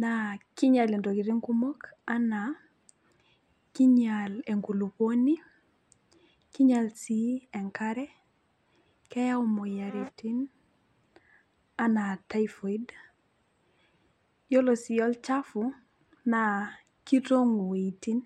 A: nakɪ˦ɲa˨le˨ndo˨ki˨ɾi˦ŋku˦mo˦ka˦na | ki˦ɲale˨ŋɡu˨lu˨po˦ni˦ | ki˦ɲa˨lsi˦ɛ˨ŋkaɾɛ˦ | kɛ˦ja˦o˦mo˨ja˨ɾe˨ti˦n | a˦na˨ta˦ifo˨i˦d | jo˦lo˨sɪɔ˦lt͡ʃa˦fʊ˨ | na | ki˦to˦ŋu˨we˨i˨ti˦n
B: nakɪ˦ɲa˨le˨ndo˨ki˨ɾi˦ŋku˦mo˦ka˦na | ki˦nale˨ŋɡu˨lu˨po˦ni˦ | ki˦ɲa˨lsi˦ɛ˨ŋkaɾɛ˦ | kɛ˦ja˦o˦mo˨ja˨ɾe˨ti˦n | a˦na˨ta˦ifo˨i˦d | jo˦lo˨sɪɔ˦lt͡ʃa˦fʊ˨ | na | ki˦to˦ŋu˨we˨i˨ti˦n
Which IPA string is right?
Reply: A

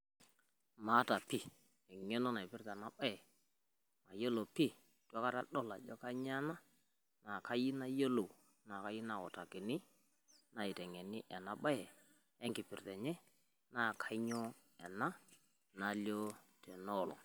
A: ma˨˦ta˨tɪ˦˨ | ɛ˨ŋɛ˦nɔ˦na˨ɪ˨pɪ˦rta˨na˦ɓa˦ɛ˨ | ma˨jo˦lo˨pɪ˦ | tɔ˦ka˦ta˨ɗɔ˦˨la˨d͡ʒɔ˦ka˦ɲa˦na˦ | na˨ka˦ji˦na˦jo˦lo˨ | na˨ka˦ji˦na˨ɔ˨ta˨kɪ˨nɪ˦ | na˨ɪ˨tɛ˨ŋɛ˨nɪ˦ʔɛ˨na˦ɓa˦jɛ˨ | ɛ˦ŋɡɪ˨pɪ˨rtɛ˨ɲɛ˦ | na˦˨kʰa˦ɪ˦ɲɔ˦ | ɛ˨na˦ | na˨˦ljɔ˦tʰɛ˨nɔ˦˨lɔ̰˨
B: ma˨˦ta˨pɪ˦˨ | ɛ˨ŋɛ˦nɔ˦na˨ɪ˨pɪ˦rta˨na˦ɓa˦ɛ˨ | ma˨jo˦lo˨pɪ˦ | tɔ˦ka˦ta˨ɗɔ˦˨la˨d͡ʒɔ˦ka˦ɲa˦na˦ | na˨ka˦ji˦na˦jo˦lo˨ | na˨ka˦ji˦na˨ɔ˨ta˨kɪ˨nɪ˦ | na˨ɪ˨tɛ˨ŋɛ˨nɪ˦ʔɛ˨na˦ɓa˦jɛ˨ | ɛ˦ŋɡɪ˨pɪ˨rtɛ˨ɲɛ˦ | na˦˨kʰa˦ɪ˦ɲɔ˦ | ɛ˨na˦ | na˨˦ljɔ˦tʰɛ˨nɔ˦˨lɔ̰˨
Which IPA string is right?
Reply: B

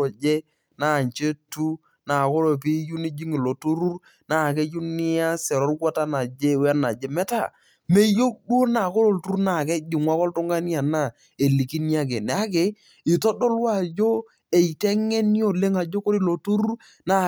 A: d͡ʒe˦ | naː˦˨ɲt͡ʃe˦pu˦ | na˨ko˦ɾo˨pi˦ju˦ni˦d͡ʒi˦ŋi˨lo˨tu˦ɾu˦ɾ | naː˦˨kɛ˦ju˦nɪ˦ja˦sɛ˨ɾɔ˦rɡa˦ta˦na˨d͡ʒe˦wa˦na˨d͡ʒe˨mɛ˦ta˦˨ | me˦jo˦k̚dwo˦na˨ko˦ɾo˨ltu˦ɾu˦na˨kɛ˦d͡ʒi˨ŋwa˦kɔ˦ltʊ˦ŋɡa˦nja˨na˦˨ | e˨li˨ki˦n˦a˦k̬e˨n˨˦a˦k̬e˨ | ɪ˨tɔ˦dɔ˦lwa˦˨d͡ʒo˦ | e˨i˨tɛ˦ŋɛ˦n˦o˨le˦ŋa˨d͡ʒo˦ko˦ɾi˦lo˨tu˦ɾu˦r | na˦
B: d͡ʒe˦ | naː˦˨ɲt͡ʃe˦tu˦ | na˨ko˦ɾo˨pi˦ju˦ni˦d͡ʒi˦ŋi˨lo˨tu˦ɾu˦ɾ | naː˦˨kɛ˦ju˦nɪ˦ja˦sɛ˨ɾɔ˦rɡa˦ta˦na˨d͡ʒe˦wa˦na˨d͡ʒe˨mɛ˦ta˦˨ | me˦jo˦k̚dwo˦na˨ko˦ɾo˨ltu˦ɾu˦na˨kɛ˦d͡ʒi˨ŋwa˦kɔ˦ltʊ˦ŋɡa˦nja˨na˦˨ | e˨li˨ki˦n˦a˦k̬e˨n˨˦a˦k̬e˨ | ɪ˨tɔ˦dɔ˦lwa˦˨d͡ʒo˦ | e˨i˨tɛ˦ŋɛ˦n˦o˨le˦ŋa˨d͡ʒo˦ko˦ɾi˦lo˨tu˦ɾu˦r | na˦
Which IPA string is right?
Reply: B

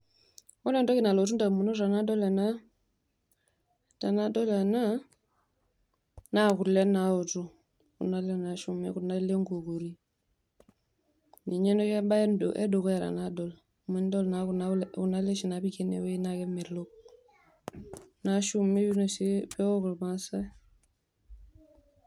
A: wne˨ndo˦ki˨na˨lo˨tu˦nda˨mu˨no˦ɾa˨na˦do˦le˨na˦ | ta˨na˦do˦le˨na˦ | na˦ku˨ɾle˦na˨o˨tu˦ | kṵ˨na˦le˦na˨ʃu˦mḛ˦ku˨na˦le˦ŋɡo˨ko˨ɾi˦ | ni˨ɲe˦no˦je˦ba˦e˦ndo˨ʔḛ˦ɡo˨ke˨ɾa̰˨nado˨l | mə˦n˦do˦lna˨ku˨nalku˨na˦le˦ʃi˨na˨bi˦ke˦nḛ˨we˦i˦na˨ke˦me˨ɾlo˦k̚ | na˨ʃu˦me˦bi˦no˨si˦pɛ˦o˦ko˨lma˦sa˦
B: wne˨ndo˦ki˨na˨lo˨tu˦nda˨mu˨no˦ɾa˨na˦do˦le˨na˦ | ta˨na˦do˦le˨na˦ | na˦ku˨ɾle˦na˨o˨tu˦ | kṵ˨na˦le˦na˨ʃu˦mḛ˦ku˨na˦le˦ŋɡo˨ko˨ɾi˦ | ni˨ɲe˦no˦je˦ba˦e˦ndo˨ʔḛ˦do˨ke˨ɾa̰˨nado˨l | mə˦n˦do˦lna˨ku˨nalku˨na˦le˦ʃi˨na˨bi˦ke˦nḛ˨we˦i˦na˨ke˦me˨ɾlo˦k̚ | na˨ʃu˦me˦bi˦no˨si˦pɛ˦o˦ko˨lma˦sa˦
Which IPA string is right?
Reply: B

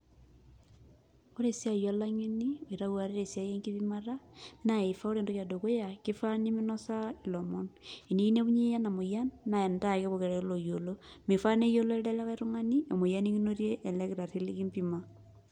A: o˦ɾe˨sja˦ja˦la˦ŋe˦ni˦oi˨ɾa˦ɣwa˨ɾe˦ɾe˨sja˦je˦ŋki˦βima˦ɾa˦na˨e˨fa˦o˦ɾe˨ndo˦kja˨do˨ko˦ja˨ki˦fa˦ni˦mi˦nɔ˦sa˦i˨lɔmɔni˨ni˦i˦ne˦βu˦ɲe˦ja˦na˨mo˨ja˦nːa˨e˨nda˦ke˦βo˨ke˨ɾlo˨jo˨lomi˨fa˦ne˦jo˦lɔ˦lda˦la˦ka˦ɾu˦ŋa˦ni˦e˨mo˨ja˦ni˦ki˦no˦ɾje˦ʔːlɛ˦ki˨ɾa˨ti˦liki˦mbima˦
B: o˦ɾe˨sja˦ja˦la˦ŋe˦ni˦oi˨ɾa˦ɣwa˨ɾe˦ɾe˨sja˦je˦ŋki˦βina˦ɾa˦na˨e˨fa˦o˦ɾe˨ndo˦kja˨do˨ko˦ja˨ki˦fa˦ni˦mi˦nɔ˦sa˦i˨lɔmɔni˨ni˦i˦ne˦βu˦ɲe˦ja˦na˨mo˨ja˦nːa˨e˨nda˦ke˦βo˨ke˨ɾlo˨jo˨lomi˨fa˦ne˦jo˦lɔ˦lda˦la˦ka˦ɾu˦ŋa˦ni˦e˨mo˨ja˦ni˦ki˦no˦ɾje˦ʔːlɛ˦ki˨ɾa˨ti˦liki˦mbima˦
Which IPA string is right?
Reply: A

